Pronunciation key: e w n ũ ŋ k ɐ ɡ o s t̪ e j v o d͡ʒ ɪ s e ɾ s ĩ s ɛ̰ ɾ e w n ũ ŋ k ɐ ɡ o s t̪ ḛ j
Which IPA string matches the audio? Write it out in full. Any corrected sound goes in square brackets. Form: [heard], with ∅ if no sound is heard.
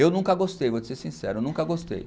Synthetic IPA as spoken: e w n ũ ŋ k ɐ ɡ o s t̪ e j v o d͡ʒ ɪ s e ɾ s ĩ s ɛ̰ ɾ e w n ũ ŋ k ɐ ɡ o s t̪ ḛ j